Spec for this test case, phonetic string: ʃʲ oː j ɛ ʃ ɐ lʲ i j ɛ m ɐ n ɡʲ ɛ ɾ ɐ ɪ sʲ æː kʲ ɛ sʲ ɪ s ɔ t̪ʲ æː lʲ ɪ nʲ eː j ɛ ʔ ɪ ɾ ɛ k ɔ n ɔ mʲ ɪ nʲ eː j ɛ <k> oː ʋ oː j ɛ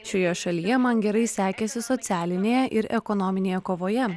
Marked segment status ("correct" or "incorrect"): correct